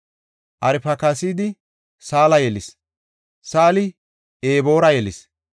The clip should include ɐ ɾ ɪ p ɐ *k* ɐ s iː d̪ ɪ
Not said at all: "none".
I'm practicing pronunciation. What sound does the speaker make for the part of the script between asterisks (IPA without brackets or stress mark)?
k